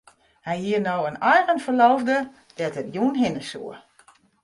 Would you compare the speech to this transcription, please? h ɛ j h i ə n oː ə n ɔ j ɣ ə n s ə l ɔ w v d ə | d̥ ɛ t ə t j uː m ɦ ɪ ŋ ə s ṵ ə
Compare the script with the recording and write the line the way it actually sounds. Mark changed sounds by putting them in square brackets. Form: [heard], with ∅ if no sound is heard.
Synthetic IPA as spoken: h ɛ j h i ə n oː ə n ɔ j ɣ ə n [f] ə l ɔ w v d ə | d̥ ɛ t ə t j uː [n] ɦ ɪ [n] ə s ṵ ə